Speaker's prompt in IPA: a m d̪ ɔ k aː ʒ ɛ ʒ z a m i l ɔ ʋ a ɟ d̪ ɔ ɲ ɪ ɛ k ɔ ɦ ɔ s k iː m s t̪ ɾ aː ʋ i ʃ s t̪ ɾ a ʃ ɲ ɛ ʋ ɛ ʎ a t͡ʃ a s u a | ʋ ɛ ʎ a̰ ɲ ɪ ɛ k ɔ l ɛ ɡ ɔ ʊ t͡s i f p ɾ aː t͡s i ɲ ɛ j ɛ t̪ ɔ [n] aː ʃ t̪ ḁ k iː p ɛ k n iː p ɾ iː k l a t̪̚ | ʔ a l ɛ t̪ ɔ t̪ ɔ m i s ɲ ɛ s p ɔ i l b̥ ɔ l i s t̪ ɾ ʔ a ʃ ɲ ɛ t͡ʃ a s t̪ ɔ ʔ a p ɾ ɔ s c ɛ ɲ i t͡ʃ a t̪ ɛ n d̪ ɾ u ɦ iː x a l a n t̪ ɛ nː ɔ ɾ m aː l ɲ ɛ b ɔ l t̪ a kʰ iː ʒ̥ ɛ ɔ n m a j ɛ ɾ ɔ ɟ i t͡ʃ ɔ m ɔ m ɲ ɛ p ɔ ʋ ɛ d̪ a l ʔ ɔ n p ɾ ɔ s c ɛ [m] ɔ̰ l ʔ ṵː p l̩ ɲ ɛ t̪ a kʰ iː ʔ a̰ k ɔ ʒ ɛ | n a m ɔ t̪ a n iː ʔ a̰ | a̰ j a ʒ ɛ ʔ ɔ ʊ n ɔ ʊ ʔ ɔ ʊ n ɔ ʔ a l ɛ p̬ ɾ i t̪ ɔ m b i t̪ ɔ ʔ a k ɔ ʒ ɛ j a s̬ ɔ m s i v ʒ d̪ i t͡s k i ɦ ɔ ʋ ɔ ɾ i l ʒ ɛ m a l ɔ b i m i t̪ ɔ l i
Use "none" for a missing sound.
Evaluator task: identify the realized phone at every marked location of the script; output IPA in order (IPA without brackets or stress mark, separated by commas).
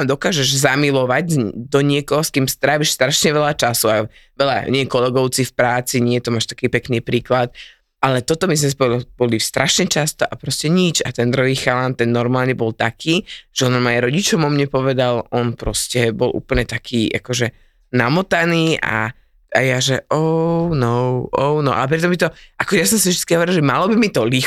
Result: m, b